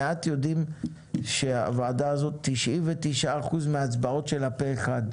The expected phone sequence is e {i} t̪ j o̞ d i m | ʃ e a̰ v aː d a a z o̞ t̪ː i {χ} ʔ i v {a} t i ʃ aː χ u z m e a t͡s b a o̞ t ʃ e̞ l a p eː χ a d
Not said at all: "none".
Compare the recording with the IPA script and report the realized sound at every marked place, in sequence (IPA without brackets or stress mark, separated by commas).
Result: a, ʃ, e